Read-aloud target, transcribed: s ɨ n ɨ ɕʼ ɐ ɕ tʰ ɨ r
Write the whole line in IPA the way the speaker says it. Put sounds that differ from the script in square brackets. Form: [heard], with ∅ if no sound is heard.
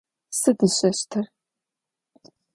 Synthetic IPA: s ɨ [d] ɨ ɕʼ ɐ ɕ tʰ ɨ r